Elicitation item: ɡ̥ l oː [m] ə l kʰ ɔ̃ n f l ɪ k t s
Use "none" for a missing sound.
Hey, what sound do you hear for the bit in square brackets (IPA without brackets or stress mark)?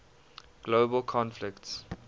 b